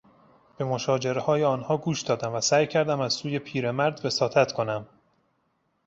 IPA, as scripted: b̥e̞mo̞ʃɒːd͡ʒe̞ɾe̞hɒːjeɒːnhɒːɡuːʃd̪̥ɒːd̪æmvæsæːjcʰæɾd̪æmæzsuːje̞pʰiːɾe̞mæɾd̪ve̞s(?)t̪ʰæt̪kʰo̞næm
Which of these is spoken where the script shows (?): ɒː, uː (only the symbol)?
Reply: ɒː